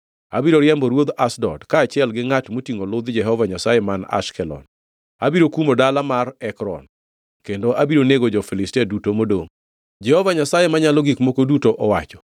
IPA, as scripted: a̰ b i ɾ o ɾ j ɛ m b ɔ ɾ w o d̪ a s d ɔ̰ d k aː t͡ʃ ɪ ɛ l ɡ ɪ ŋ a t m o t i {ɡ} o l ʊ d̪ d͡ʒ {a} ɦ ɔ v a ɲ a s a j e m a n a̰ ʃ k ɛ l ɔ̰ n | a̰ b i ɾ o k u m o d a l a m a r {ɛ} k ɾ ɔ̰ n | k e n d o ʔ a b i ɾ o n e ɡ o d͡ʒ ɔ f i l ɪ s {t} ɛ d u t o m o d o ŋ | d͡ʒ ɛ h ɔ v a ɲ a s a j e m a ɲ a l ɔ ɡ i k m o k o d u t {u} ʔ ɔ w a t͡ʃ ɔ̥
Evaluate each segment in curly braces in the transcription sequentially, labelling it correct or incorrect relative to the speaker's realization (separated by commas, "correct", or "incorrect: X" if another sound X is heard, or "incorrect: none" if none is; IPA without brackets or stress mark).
incorrect: ŋ, incorrect: ɛ, correct, correct, incorrect: o